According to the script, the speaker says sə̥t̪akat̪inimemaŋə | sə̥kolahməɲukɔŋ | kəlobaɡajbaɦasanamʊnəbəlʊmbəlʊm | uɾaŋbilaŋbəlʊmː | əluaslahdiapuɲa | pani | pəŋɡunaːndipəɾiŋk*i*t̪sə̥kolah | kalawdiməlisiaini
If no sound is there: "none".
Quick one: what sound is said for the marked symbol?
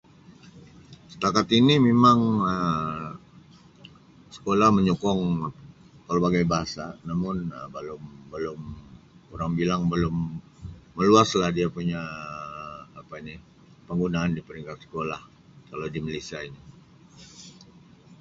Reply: a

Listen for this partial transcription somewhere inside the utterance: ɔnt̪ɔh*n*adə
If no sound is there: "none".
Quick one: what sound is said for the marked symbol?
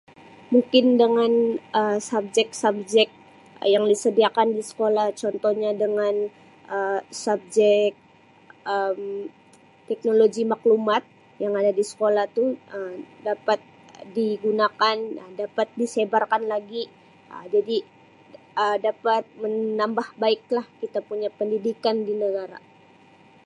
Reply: ɲ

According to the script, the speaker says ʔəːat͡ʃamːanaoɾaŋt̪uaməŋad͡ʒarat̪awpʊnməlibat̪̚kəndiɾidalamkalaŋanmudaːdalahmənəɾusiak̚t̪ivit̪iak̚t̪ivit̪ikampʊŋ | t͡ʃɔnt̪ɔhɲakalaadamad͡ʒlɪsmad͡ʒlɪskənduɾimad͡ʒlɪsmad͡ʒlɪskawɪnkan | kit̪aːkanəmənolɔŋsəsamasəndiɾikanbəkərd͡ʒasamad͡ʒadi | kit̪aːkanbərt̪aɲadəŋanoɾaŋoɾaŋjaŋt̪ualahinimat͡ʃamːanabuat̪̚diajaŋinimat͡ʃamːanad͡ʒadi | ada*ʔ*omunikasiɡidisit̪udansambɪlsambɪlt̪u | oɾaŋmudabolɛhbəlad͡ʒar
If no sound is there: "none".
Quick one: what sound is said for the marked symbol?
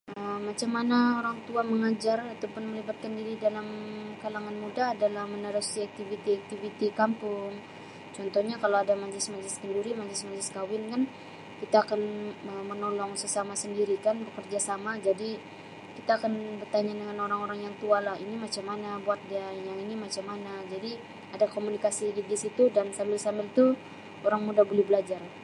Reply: k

